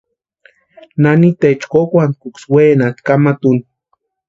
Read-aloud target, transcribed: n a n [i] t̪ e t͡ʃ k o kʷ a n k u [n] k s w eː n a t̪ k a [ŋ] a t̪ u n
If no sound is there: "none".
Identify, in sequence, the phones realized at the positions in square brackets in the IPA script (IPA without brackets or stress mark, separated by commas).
i, none, m